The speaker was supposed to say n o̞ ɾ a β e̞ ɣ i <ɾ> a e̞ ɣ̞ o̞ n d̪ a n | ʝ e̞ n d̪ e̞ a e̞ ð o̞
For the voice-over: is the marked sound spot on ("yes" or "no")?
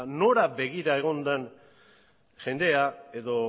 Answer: yes